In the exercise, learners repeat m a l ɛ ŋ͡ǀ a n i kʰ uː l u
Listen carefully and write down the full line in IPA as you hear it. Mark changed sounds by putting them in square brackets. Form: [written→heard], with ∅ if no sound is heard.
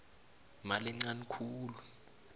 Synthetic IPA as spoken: m a l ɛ ŋ͡ǀ a n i kʰ uː l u